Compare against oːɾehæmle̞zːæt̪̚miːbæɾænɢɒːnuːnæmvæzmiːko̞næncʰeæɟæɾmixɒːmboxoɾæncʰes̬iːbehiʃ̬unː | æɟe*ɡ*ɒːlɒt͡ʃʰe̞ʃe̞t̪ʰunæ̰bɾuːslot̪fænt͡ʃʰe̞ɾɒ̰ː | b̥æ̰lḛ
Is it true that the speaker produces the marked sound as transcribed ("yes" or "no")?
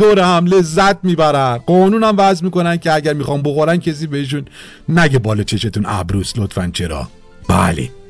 no